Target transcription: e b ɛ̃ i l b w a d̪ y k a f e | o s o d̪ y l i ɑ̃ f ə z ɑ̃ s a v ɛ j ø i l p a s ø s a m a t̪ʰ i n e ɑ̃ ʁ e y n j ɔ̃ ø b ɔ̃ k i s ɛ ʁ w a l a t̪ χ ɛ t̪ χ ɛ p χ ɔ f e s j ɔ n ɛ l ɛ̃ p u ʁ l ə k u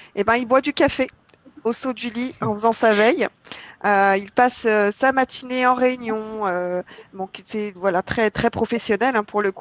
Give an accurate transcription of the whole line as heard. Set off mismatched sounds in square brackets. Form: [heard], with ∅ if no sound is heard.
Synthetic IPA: e b ɛ̃ i l b w a d̪ y k a f e | o s o d̪ y l i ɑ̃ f ə z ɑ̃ s a v ɛ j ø i l p a s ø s a m a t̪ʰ i n e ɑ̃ ʁ e y n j ɔ̃ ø b ɔ̃ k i s ɛ [v] w a l a t̪ χ ɛ t̪ χ ɛ p χ ɔ f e s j ɔ n ɛ l ɛ̃ p u ʁ l ə k u